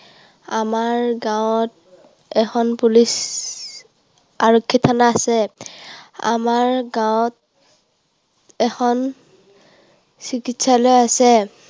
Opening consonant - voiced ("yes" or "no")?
yes